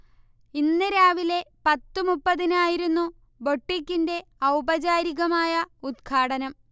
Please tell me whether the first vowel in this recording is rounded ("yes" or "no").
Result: no